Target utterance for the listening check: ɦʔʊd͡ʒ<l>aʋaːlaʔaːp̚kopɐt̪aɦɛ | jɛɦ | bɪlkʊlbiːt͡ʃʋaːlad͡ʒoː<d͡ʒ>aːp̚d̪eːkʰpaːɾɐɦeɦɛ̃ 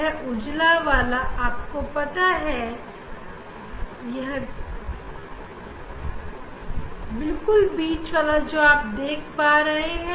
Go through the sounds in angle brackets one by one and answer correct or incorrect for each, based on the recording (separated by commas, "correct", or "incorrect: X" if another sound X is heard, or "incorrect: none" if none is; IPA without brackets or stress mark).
correct, incorrect: none